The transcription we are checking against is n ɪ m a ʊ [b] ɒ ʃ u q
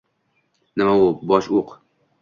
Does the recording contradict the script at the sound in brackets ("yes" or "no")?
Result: no